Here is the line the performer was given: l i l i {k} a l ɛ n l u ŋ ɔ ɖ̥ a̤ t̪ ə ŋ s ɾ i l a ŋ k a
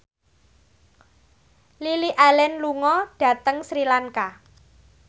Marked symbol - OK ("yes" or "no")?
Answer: no